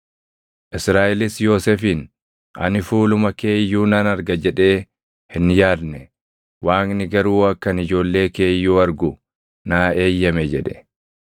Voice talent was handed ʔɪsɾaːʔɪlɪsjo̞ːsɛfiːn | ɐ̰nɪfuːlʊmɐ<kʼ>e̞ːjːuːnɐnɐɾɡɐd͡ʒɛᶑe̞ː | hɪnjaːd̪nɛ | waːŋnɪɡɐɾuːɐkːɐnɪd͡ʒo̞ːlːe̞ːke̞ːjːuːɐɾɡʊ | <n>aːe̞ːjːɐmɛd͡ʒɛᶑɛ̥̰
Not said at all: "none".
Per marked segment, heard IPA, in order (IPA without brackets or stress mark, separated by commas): k, n